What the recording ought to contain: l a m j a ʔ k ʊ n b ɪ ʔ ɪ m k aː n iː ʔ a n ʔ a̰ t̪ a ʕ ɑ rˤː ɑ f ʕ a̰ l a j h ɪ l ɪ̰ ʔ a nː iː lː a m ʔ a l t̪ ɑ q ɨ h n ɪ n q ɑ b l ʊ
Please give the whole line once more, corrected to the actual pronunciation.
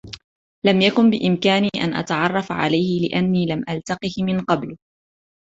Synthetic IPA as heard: l a m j a k ʊ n b ɪ ʔ ɪ m k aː n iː ʔ a n ʔ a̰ t̪ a ʕ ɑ rˤː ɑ f ʕ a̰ l a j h ɪ l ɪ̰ ʔ a nː iː l a m ʔ a l t̪ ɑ q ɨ h m ɪ n q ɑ b l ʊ